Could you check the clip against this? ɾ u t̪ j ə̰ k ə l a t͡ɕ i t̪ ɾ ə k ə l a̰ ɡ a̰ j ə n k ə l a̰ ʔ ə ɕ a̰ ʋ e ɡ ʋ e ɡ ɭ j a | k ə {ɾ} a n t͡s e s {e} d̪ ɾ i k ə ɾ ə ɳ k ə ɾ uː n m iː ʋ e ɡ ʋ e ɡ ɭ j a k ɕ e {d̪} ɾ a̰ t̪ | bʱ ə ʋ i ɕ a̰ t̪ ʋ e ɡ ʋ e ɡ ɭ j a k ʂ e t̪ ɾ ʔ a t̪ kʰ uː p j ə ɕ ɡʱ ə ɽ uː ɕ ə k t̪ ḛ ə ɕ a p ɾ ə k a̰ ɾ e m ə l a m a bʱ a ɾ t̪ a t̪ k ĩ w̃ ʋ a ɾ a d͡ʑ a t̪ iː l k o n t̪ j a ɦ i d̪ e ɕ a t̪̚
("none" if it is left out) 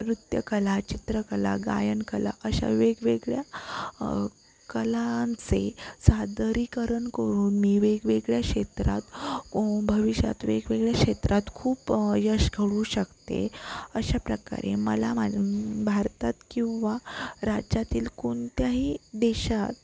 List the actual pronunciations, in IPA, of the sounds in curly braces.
l, a, t̪

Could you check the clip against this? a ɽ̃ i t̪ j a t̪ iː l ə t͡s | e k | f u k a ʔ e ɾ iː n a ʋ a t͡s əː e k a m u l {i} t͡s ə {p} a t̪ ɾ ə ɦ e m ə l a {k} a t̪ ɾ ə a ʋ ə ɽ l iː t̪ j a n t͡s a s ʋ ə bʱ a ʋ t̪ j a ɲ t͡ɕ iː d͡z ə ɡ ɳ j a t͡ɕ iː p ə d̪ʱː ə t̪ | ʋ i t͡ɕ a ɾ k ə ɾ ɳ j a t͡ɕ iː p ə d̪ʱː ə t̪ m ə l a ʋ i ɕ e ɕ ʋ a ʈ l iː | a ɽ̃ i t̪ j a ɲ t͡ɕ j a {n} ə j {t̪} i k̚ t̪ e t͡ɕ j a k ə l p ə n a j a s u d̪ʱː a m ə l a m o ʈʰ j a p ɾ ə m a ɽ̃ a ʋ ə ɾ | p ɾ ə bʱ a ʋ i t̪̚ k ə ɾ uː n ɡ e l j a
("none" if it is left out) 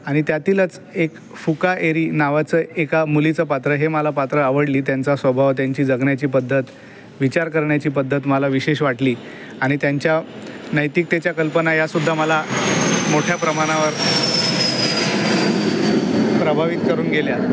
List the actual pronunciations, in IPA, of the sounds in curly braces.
i, p, p, n, t̪

